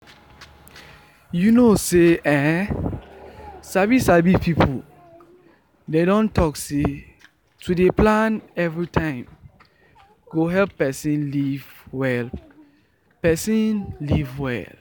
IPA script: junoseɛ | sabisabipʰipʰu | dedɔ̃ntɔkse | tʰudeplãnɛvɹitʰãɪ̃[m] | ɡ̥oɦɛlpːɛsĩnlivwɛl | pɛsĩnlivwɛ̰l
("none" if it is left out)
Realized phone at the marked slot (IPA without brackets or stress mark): m